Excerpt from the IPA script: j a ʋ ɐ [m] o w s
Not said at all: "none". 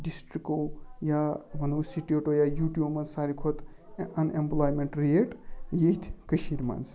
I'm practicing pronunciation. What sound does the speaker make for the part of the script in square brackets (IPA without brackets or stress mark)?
n